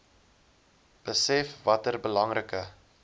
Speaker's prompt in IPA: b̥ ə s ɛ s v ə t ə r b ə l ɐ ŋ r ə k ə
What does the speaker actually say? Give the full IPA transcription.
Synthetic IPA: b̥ ə s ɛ f v ɐ t ə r b ə l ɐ ŋ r ə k ə